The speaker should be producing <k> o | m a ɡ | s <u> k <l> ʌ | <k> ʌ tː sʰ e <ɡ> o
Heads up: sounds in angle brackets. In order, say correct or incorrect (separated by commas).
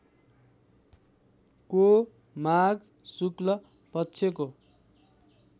correct, correct, correct, incorrect, incorrect